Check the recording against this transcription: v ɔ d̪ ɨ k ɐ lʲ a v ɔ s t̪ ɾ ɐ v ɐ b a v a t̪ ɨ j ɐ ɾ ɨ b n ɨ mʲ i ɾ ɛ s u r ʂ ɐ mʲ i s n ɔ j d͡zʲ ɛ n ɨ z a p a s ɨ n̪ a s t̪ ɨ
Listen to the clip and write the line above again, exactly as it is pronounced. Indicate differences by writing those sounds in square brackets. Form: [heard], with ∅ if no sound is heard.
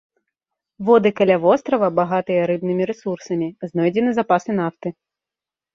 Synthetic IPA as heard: v ɔ d̪ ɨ k ɐ lʲ a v ɔ s t̪ ɾ ɐ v ɐ b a [ɣ] a t̪ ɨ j ɐ ɾ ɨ b n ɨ mʲ i ɾ ɛ s u r [s] ɐ mʲ i [z] n ɔ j d͡zʲ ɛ n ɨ z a p a s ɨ n̪ a [f] t̪ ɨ